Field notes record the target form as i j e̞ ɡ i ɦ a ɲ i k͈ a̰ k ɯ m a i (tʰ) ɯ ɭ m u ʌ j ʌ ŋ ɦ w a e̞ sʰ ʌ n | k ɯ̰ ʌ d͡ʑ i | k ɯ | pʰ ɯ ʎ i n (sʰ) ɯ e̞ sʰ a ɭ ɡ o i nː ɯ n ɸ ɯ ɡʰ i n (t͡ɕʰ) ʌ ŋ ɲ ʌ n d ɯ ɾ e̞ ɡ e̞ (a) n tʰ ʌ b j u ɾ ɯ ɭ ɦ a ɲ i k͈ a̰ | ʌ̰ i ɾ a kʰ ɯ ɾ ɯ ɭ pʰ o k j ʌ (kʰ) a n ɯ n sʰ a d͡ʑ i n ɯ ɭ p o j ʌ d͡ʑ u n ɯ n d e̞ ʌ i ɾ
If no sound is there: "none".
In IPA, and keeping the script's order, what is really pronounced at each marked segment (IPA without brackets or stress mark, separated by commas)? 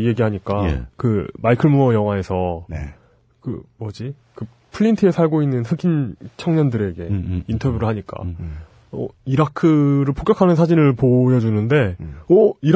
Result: kʰ, tʰ, t͡ɕʰ, i, kʰ